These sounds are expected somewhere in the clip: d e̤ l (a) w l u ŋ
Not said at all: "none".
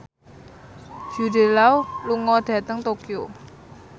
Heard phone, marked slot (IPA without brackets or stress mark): a